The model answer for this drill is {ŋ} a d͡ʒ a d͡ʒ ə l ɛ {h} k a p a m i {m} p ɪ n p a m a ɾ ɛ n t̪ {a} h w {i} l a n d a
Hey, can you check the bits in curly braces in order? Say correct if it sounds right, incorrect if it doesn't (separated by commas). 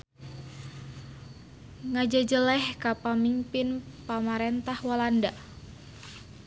correct, correct, correct, correct, incorrect